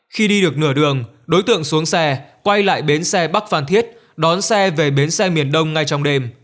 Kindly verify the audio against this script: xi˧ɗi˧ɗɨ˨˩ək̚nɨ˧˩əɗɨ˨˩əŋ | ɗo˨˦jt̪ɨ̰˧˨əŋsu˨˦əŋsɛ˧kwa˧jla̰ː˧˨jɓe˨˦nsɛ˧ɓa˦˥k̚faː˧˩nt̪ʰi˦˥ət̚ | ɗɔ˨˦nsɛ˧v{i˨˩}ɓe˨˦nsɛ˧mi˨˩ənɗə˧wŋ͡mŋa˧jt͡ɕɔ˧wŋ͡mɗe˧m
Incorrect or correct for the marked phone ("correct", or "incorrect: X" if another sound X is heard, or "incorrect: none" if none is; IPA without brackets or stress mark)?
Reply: incorrect: e˨˩